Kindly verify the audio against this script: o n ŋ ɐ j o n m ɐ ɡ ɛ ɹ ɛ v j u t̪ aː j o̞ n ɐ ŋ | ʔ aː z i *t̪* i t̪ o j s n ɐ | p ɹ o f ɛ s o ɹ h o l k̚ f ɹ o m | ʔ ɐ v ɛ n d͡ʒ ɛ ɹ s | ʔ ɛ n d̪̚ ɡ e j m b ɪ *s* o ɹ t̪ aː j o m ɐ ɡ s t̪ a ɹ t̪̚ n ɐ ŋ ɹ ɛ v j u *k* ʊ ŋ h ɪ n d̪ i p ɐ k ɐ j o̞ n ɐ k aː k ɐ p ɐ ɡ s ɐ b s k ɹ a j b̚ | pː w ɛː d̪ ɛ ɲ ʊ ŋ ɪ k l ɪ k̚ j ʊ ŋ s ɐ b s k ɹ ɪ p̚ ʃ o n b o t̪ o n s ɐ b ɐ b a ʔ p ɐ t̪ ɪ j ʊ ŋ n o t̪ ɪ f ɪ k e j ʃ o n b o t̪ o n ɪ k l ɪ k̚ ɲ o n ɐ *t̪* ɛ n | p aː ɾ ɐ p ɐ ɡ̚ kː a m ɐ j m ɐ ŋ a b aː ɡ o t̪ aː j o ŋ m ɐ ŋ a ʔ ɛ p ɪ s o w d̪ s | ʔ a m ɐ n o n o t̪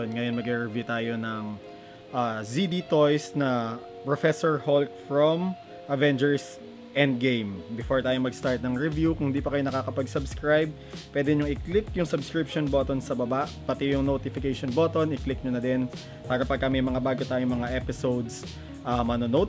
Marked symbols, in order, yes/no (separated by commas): no, no, yes, no